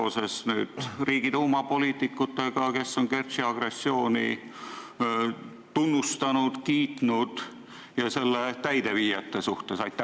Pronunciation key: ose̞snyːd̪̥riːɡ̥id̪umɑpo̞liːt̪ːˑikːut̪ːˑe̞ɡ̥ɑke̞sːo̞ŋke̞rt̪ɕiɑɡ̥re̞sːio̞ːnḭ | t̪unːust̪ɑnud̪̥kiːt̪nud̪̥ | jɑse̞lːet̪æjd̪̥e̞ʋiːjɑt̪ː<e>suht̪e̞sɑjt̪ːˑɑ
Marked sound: correct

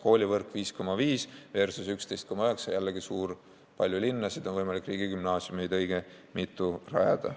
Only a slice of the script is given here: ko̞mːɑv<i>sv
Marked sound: incorrect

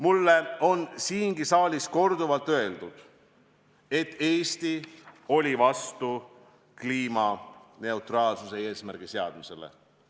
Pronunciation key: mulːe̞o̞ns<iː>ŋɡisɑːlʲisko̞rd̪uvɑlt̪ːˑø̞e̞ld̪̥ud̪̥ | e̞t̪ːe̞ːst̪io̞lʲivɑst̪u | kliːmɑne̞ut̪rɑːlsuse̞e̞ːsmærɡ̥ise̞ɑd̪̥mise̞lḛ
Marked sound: correct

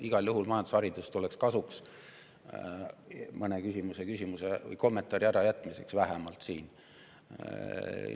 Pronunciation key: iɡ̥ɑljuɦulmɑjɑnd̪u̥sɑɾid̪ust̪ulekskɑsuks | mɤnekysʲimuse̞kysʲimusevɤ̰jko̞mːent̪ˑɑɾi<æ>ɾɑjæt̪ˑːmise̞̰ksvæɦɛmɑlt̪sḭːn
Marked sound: correct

